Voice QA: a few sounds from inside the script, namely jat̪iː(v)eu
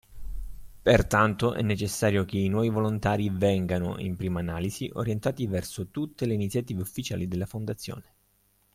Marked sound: correct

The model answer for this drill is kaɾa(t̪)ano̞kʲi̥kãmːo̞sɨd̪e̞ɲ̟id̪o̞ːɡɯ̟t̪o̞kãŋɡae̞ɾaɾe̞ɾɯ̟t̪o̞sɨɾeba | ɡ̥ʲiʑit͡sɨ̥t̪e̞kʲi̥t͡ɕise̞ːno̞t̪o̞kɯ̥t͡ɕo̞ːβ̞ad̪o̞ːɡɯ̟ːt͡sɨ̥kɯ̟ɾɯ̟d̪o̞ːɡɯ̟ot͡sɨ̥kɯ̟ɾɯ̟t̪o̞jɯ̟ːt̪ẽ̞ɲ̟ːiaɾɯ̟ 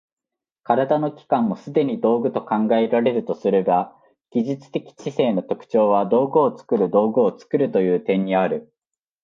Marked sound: incorrect: d̪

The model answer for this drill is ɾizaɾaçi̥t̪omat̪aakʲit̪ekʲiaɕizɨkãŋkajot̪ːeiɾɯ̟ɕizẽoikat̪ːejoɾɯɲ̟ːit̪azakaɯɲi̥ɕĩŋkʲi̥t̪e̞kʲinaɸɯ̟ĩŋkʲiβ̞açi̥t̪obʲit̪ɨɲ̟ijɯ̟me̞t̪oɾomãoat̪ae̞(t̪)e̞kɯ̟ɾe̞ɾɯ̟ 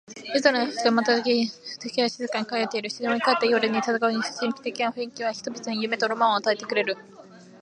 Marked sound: correct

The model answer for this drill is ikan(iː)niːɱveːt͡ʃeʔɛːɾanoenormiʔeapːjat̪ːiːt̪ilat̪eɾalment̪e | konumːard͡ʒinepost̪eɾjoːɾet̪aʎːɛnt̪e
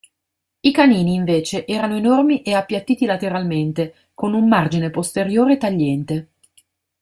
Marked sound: correct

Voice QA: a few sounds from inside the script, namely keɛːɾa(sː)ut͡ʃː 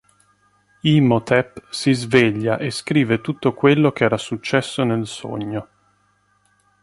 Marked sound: incorrect: s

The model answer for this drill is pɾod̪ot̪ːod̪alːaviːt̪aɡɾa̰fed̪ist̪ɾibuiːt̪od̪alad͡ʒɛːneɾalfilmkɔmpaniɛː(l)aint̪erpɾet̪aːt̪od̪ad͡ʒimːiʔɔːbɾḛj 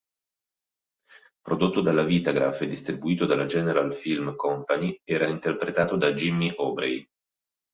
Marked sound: incorrect: ɾ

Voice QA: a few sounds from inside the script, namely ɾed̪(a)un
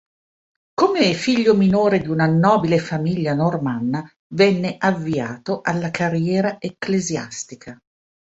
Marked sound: incorrect: i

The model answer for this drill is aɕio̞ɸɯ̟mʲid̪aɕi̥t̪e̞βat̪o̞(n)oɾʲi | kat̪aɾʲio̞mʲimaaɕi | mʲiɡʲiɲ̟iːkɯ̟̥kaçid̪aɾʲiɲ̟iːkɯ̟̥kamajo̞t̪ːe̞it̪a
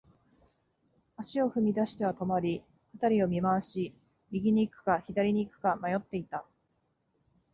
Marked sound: incorrect: m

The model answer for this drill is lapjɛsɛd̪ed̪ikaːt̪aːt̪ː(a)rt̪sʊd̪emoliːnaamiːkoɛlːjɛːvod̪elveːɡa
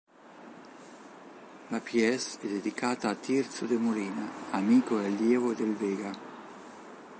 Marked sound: incorrect: i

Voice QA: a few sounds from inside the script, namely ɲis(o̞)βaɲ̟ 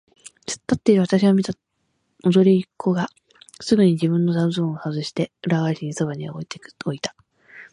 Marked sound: correct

